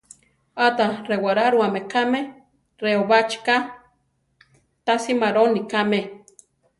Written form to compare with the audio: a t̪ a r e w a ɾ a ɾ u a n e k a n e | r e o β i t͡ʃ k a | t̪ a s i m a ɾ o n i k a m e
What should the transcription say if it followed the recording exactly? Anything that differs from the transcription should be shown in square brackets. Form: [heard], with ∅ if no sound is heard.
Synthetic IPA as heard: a t̪ a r e w a ɾ a ɾ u a [m] e k a [m] e | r e o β [a] t͡ʃ k a | t̪ a s i m a ɾ o n i k a m e

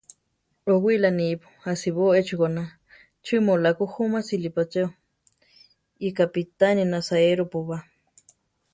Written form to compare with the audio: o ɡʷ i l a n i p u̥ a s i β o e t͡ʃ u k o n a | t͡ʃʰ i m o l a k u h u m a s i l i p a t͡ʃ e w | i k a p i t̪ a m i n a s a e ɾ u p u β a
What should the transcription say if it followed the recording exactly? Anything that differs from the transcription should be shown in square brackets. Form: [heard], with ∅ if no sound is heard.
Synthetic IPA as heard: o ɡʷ i l a n i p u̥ a s i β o e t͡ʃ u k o n a | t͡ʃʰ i m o l a k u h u m a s i l i p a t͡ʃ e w | i k a p i t̪ a [n] i n a s a e ɾ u p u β a

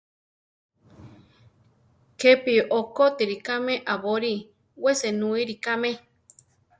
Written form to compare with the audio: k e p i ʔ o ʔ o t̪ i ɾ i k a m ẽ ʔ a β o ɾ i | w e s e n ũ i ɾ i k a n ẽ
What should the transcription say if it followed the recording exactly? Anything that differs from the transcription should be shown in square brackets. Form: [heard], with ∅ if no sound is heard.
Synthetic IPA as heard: k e p i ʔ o [k] o t̪ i ɾ i k a m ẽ ʔ a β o ɾ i | w e s e n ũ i ɾ i k a [m] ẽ

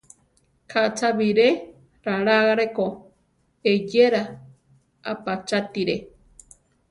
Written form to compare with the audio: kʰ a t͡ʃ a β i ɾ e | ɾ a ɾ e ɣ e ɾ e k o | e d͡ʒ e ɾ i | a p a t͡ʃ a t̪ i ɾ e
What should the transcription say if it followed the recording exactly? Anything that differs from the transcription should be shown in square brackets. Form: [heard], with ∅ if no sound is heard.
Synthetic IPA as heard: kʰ a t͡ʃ a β i ɾ e | ɾ a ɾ [a] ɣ [a] ɾ e k o | e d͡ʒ e ɾ [a] | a p a t͡ʃ a t̪ i ɾ e

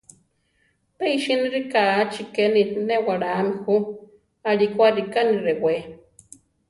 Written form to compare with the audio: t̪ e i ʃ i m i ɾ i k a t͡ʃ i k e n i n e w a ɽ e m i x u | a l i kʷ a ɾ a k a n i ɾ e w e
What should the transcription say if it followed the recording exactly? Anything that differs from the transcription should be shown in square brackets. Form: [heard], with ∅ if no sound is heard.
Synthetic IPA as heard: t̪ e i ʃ i [n] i ɾ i k a t͡ʃ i k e n i n e w a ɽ [a] m i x u | a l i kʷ a ɾ [i] k a n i ɾ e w e

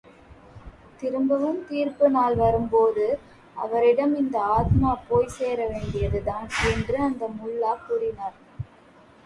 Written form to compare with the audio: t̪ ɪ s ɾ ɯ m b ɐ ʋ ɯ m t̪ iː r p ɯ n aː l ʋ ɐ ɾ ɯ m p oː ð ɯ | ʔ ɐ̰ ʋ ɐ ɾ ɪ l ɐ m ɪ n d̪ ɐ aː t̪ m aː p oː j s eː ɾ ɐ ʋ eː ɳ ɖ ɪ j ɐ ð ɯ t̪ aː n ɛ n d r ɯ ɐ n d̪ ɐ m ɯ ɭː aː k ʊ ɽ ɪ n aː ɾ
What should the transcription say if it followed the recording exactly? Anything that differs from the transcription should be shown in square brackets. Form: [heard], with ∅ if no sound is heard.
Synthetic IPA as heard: t̪ ɪ [∅] ɾ ɯ m b ɐ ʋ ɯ m t̪ iː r p ɯ n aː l ʋ ɐ ɾ ɯ m p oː ð ɯ | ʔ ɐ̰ ʋ ɐ ɾ ɪ [ɽ] ɐ m ɪ n d̪ ɐ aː t̪ m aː p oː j s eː ɾ ɐ ʋ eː ɳ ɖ ɪ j ɐ ð ɯ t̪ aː n ɛ n d r ɯ ɐ n d̪ ɐ m [ʊ] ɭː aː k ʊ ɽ ɪ n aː ɾ

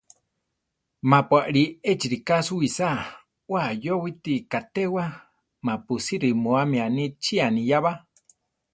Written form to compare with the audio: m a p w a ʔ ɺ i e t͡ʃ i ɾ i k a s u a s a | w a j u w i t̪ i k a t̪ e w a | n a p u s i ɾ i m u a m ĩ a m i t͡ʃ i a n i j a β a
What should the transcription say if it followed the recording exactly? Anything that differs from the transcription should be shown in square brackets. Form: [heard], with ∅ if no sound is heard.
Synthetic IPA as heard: m a p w a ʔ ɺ i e t͡ʃ i ɾ i k a s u [i] s a | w a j [o] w i t̪ i k a t̪ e w a | [m] a p u s i ɾ i m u a m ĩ a [n] i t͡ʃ i a n i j a β a

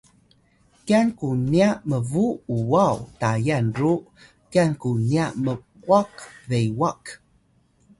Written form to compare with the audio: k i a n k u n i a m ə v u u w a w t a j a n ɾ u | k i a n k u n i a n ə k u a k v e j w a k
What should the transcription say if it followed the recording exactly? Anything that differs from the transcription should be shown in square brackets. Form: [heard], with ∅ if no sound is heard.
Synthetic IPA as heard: k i a n k u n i a m ə v u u w a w t a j a n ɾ u | k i a n k u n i a [m] ə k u a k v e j w a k

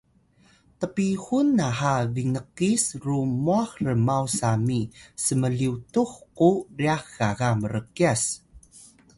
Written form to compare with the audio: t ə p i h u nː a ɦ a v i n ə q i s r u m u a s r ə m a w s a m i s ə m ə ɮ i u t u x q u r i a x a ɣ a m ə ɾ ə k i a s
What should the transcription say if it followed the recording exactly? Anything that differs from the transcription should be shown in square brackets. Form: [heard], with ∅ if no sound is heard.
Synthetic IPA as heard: t ə p i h u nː a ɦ a v i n ə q i s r u m u a [x] r ə m a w s a m i s ə m ə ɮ i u t u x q u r i a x a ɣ a m ə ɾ ə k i a s

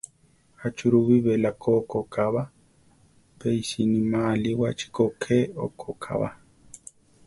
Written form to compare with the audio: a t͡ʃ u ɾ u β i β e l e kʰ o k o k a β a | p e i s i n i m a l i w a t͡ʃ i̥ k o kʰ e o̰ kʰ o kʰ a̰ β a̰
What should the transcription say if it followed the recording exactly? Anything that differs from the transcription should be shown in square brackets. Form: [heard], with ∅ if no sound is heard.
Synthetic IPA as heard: a t͡ʃ u ɾ u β i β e l [a] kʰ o k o k a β a | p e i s i n i m a l i w a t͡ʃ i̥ k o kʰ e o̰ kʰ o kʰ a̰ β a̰

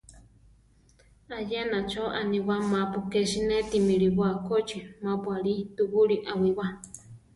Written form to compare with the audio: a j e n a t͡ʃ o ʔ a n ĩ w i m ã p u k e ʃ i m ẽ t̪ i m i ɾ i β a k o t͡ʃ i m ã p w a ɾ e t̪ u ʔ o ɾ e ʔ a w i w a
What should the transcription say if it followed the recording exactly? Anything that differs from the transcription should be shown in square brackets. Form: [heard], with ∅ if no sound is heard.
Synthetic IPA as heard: a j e n a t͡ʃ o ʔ a n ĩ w [a] m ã p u k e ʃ i [n] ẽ t̪ i m i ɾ i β a k o t͡ʃ i m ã p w a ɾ [i] t̪ u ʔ [u] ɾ [i] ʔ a w i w a

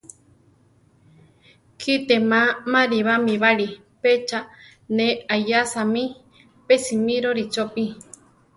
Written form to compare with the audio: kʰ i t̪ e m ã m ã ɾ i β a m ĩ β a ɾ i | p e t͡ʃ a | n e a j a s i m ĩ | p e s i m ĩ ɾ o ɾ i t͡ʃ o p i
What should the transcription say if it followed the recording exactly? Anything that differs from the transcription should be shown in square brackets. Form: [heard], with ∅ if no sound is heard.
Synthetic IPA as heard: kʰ i t̪ e m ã m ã ɾ i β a m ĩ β a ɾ i | p e t͡ʃ a | n e a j a s [a] m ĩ | p e s i m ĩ ɾ o ɾ i t͡ʃ o p i

